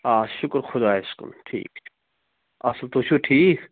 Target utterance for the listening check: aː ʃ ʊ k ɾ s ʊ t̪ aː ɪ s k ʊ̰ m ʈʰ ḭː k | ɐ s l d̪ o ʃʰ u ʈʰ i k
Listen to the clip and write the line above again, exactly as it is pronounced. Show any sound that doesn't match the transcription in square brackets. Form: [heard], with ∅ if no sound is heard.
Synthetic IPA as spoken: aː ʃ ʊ k ɾ [x] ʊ [d̪] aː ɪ s k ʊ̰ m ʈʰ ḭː k | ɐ s l [t̪] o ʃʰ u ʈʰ [iː] k